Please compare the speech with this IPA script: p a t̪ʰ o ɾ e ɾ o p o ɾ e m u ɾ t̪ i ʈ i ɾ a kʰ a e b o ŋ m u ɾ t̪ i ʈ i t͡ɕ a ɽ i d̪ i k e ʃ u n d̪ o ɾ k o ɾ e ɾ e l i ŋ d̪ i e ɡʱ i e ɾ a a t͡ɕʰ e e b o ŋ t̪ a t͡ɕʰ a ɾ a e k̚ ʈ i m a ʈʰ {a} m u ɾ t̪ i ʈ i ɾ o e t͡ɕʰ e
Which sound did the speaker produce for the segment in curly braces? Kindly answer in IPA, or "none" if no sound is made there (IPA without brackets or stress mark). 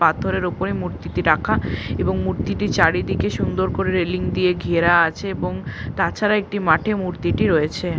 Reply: e